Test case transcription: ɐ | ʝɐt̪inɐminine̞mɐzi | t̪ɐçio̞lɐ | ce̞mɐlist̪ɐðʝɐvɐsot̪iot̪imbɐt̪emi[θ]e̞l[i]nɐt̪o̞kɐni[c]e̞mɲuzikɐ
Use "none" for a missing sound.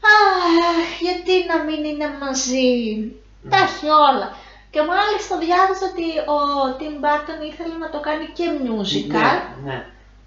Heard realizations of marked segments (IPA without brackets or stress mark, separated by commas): θ, e, c